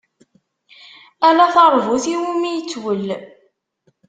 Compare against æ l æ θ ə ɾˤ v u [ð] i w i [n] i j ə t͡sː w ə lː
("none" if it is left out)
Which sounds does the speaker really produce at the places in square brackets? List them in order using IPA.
θ, m

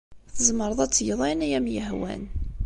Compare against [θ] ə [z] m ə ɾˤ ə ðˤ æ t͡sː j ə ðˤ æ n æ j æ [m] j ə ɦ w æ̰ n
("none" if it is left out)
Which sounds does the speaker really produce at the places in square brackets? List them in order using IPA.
θ, z, m

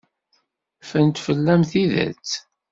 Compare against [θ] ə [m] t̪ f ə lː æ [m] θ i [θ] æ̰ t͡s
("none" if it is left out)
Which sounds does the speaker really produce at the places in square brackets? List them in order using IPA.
f, n, m, ð

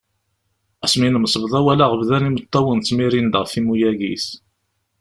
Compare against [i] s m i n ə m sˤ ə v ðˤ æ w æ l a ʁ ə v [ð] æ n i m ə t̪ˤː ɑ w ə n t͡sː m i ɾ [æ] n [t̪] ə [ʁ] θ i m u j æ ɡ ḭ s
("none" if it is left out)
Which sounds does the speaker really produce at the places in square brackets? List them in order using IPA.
æ, ð, i, d̪, ʁ

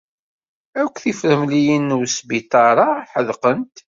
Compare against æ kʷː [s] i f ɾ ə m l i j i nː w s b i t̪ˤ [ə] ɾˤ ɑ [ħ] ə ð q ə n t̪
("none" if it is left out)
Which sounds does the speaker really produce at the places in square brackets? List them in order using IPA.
θ, ɑ, ħ

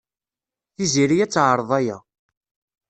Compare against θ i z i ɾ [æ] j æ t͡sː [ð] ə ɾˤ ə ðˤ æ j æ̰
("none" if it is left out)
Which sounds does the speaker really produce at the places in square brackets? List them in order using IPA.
i, ʕ

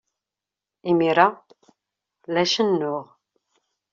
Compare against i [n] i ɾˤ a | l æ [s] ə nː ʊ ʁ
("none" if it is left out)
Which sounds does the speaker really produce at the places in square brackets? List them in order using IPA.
m, ʃ

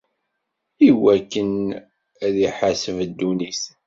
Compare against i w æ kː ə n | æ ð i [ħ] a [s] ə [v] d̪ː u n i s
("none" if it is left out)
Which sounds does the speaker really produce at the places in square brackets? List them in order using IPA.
ħ, s, v

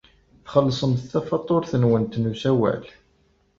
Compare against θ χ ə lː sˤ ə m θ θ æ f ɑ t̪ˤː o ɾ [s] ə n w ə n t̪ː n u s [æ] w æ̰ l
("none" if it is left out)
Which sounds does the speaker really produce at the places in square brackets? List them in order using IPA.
θ, æ

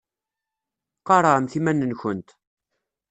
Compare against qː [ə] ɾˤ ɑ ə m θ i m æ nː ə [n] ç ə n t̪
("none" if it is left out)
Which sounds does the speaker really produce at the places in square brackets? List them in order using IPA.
ɑ, n

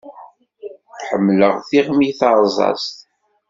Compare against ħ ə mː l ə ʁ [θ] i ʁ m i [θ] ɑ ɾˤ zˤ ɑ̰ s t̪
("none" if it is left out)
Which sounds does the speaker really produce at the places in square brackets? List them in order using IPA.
θ, θ

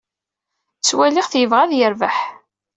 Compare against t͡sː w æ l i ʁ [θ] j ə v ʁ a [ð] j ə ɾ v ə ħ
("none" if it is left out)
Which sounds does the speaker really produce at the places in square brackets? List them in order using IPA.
θ, ð

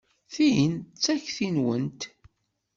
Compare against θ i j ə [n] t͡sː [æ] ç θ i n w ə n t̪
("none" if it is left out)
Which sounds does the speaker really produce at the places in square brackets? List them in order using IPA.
n, æ

